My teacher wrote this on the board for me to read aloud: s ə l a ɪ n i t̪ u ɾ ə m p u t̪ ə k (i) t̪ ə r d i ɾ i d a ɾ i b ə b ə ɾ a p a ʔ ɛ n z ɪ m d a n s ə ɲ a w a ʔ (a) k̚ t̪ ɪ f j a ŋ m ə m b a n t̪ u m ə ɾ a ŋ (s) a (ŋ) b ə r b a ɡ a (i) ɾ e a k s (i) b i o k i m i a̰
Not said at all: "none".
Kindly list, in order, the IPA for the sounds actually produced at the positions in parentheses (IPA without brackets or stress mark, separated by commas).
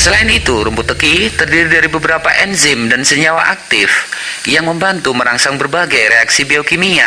i, a, s, ŋ, j, i